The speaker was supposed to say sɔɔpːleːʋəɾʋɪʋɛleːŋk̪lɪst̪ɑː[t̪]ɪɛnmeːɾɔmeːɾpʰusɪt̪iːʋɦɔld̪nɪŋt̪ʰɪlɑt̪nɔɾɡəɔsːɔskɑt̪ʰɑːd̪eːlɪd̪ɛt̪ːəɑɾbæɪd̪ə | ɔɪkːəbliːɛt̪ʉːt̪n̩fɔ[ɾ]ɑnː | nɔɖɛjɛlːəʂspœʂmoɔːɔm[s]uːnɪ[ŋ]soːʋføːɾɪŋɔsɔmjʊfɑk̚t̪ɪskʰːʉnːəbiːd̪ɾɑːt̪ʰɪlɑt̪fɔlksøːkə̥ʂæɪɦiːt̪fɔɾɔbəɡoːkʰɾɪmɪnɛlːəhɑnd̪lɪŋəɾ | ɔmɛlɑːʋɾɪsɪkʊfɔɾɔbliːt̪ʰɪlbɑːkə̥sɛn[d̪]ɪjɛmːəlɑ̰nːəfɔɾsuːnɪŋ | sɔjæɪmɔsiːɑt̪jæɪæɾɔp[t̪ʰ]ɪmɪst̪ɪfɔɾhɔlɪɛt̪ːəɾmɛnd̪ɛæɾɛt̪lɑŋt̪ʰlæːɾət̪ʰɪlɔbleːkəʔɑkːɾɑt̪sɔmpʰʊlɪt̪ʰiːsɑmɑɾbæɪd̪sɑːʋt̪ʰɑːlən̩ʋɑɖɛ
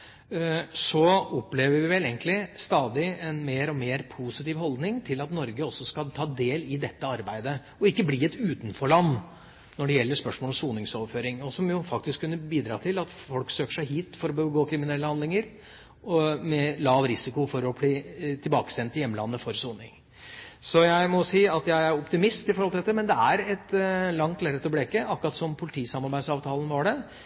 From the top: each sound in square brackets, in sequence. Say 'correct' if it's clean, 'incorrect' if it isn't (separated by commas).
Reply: incorrect, incorrect, correct, correct, incorrect, incorrect